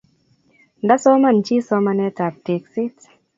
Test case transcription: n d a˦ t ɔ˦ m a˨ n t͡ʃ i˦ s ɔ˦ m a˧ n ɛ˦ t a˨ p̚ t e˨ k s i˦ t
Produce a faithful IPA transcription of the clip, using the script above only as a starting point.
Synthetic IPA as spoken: n d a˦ s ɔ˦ m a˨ n t͡ʃ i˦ s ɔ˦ m a˧ n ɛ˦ t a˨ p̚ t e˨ k s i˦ t

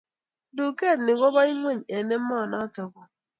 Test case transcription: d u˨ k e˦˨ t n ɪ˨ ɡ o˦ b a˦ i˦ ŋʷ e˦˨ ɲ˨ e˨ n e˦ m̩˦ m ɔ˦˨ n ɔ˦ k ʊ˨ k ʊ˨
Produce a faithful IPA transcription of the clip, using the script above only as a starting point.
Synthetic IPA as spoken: d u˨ k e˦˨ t n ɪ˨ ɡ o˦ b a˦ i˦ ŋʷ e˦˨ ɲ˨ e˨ n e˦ m̩˦ m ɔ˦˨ n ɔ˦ t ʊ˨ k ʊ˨

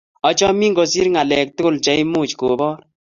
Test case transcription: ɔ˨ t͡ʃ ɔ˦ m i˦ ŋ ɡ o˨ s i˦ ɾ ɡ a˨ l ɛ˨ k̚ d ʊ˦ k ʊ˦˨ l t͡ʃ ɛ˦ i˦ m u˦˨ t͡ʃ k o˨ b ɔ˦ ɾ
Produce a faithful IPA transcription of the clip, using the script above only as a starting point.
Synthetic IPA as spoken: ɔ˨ t͡ʃ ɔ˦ m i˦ ŋ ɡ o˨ s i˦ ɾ ŋ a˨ l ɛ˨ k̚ t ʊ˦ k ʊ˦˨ l t͡ʃ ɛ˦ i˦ m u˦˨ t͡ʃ k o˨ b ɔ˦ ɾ

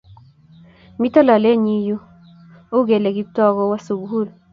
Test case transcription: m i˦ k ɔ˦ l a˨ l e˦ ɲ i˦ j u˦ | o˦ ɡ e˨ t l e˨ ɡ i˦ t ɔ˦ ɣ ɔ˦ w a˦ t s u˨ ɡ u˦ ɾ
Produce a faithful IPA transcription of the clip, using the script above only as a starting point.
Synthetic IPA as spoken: m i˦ t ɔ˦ l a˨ l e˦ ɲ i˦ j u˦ | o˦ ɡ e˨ l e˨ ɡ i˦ t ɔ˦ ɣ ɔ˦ w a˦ s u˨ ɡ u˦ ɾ

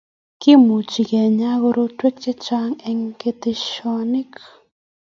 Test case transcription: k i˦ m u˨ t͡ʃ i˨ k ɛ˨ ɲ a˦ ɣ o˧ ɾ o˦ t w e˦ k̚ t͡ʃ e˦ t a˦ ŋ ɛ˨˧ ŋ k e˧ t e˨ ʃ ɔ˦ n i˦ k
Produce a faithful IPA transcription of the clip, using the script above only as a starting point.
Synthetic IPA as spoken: k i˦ m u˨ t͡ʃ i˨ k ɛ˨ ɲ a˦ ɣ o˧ ɾ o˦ t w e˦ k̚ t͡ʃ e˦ t͡ʃ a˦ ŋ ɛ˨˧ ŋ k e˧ t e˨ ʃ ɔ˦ n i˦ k

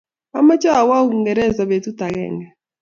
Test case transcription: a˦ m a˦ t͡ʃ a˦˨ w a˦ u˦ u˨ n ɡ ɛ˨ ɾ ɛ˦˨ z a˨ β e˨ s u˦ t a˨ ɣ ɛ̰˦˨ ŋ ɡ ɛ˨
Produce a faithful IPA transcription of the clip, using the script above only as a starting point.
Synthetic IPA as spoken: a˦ m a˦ t͡ʃ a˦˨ w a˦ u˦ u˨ ŋ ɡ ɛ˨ ɾ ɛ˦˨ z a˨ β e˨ t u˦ t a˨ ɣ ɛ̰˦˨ ŋ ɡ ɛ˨

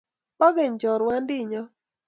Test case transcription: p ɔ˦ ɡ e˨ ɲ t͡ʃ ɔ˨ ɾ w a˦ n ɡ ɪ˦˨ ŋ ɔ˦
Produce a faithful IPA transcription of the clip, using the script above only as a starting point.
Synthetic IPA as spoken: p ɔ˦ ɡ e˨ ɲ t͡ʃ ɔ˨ ɾ w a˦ n d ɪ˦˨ ɲ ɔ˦

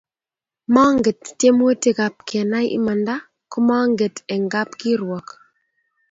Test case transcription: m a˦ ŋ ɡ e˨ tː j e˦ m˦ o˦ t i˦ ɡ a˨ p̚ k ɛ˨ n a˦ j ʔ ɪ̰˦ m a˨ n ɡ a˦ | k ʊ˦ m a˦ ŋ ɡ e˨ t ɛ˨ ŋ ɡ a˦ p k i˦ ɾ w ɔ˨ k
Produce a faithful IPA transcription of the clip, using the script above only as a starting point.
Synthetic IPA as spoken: m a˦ ŋ ɡ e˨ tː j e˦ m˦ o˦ t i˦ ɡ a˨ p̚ k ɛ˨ n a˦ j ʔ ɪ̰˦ m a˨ n d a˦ | k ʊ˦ m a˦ ŋ ɡ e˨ t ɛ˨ ŋ ɡ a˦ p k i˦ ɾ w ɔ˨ k

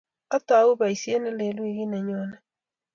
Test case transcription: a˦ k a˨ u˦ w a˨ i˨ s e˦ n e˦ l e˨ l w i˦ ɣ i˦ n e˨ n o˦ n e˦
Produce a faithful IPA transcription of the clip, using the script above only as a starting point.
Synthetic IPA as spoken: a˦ t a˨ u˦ β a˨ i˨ s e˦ n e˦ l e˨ l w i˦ ɣ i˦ n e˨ ɲ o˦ n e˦

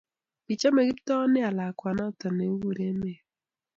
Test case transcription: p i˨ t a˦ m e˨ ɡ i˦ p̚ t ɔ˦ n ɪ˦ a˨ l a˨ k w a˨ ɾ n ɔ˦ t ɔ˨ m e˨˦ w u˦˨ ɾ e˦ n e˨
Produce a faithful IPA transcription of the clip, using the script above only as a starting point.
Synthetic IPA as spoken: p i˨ t͡ʃ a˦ m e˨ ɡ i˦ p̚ t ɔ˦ n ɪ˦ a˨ l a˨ k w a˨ n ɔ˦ t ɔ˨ n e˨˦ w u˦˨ ɾ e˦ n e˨

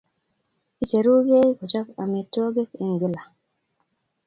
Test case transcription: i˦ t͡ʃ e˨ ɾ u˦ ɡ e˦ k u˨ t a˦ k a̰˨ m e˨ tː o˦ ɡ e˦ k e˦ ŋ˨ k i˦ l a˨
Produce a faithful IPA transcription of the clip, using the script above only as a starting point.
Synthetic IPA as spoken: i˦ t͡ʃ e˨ ɾ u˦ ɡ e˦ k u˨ t͡ʃ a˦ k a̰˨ m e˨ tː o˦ ɡ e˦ k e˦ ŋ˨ ɡ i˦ l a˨

